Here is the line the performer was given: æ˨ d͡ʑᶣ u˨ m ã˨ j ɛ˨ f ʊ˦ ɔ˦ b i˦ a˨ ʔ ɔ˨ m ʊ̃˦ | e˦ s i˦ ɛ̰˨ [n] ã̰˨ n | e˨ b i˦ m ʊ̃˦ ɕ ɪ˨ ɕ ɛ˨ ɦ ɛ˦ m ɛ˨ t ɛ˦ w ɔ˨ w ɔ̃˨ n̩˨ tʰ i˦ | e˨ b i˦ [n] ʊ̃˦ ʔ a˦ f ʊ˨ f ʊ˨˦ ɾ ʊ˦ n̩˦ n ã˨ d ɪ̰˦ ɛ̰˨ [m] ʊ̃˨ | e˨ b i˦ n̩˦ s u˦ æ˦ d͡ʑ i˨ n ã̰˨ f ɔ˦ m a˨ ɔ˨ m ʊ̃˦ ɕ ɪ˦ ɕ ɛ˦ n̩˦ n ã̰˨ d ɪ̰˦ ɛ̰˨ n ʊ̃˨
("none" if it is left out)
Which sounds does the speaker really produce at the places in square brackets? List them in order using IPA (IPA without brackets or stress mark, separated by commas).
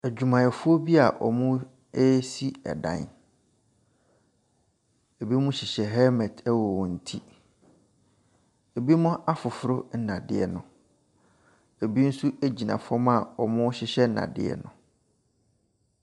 d, m, n